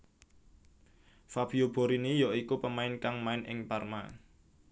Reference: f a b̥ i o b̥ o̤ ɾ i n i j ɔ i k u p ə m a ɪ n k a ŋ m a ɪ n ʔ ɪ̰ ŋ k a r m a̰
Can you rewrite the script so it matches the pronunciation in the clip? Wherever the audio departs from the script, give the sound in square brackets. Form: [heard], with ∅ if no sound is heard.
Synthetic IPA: f a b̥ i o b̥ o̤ ɾ i n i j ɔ i k u p ə m a ɪ n k a ŋ m a ɪ n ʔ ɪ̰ ŋ [p] a r m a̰